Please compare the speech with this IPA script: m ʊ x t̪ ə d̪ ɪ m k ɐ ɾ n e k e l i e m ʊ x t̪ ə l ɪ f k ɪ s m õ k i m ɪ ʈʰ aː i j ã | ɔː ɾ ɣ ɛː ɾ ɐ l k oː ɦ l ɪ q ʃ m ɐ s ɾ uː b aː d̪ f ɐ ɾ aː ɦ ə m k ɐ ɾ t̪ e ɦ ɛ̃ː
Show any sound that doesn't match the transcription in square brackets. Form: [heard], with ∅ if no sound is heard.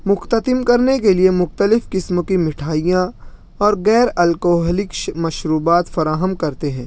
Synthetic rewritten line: m ʊ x t̪ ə [t̪] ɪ m k ɐ ɾ n e k e l i e m ʊ x t̪ ə l ɪ f k ɪ s m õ k i m ɪ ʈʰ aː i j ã | ɔː ɾ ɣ ɛː ɾ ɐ l k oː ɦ l ɪ [k] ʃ m ɐ [ʃ] ɾ uː b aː [t̪] f ɐ ɾ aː ɦ ə m k ɐ ɾ t̪ e ɦ ɛ̃ː